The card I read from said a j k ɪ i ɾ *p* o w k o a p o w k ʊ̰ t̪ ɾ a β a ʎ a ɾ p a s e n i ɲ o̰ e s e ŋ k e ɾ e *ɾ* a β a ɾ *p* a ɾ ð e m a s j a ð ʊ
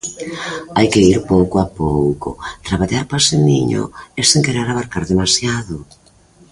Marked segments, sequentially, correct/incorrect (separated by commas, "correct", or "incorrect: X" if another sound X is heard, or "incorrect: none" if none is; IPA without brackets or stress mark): correct, correct, incorrect: k